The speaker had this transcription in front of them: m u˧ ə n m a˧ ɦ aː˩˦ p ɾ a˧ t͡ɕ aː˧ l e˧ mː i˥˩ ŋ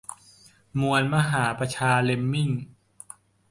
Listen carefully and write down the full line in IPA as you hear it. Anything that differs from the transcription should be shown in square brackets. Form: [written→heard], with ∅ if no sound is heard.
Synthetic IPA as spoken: m u˧ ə n m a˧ ɦ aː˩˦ p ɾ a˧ [t͡ɕ→t͡ɕʰ] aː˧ l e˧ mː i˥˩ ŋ